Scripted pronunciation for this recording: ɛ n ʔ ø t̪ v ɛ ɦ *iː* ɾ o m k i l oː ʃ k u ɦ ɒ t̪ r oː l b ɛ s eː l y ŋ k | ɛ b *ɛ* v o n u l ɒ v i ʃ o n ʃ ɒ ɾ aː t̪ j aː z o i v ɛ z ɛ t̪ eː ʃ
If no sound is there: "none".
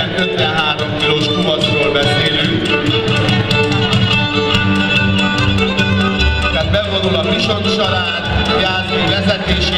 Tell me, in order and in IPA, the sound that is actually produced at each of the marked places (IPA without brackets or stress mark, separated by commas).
aː, ɛ